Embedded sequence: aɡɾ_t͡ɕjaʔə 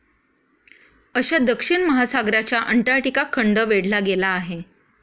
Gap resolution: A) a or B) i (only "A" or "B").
A